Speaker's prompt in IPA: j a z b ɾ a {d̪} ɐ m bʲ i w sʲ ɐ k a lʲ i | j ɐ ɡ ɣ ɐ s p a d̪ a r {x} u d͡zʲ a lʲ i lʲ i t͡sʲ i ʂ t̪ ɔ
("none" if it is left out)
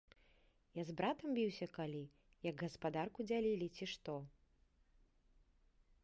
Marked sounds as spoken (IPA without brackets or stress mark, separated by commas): t̪, k